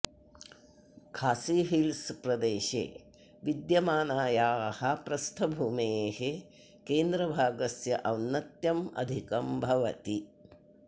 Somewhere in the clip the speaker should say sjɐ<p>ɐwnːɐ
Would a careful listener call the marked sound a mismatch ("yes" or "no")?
yes